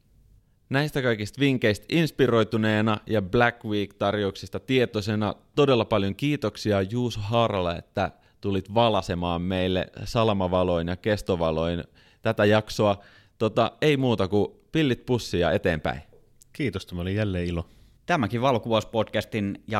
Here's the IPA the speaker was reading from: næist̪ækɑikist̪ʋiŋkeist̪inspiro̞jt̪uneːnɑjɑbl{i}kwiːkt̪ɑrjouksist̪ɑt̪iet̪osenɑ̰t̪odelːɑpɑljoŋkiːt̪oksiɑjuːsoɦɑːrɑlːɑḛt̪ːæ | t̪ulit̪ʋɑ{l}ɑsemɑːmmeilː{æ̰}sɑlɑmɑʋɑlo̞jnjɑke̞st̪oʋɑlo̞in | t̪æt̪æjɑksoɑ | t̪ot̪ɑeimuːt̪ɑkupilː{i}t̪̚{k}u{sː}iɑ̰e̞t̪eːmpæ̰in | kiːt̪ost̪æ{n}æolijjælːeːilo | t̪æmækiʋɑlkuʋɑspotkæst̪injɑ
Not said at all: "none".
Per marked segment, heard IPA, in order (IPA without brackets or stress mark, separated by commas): æ, l, ḛ, i, p, sː, m